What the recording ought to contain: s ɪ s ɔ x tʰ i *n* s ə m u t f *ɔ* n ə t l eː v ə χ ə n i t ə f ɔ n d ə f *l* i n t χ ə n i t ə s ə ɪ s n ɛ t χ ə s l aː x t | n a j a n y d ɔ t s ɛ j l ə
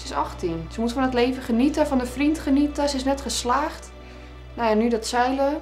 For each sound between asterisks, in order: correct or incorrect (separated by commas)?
correct, correct, incorrect